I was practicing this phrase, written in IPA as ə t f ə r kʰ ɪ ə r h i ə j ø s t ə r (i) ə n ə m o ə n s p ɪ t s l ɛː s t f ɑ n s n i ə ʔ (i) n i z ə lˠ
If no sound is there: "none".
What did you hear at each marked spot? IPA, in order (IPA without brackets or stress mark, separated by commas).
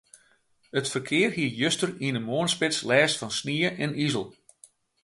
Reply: i, ɛ